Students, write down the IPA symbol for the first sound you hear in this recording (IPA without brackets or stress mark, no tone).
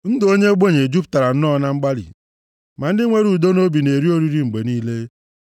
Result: n̩